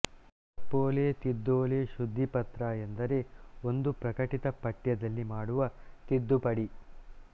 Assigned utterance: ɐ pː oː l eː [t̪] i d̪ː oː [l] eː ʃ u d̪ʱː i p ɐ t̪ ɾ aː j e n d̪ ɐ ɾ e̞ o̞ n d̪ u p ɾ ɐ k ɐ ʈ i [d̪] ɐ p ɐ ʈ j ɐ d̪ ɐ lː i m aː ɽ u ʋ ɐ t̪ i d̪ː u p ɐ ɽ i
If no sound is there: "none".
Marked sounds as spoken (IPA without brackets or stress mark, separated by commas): t̪, l, t̪